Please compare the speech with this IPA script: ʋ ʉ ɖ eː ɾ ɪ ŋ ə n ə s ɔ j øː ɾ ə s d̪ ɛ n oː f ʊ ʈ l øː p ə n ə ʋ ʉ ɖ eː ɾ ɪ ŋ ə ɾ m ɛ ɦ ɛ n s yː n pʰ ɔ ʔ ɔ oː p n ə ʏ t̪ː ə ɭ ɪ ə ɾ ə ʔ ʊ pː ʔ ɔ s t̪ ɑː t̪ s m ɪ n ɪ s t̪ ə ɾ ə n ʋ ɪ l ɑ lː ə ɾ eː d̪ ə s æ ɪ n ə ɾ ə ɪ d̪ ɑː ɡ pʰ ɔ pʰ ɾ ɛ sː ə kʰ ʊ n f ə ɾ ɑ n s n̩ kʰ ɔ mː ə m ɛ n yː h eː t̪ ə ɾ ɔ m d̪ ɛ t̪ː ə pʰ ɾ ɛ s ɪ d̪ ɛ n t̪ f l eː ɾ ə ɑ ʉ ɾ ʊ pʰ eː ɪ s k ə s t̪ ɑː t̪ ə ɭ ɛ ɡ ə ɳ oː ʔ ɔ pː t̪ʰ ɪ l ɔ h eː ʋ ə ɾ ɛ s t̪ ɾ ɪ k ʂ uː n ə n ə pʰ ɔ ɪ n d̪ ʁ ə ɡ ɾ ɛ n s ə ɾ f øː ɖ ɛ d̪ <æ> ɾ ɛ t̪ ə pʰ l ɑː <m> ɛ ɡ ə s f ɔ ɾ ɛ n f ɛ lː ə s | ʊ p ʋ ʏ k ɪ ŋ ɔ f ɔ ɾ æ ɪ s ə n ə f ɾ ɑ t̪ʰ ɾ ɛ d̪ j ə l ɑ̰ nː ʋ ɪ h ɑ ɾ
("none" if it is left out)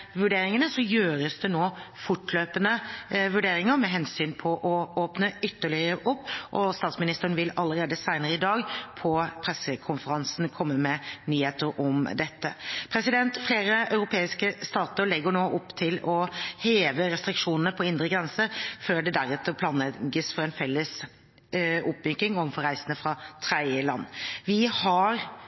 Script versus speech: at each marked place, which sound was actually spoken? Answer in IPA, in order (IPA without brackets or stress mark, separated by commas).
æ, n